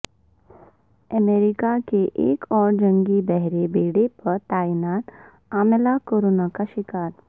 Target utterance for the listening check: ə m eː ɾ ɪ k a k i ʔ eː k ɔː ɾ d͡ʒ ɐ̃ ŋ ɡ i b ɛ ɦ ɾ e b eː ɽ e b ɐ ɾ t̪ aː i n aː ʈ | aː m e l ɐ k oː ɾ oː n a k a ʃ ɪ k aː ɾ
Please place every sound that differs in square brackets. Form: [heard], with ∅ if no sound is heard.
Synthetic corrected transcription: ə m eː ɾ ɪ k a k [e] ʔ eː k ɔː ɾ d͡ʒ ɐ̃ ŋ ɡ i b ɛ ɦ ɾ e b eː ɽ e [p] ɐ ɾ t̪ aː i n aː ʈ | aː m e l [a] k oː ɾ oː n a k a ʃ ɪ k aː ɾ